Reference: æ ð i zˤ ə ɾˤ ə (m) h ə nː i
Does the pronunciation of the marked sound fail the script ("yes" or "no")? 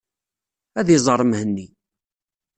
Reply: no